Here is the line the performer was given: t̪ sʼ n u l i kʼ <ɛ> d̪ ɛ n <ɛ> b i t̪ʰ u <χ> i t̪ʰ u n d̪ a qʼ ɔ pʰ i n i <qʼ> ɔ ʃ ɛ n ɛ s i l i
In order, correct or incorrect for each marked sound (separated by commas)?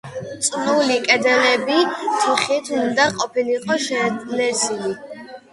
correct, correct, correct, correct